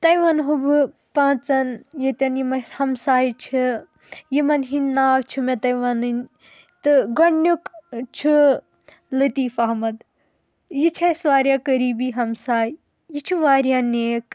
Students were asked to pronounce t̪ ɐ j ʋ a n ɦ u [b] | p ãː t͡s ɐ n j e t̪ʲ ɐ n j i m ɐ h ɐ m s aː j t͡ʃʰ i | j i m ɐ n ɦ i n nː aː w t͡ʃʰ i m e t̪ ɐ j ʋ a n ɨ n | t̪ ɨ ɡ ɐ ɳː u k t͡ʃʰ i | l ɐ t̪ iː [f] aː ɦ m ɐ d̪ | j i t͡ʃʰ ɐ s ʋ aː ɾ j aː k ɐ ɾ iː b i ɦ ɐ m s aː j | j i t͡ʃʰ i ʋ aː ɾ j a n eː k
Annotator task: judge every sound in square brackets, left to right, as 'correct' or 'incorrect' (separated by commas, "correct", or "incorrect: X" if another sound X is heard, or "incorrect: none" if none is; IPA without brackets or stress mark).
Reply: correct, correct